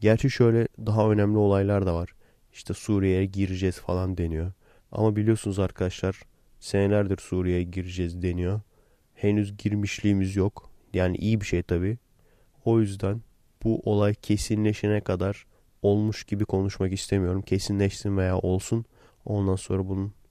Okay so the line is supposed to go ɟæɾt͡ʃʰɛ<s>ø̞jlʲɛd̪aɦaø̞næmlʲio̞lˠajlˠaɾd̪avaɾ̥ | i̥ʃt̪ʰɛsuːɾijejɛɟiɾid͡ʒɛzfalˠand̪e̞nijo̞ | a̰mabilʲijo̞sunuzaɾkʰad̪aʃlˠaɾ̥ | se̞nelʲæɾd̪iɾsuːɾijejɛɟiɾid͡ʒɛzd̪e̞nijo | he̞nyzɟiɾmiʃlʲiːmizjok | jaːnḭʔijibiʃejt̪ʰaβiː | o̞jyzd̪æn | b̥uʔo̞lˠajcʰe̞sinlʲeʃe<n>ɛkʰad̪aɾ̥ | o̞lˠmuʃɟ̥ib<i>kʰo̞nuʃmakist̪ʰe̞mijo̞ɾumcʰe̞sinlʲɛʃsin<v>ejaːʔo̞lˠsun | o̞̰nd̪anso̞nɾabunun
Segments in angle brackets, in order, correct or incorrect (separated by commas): incorrect, correct, correct, correct